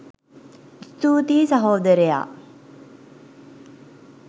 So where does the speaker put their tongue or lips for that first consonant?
tongue tip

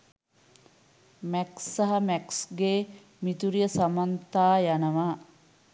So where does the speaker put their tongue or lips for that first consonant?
lips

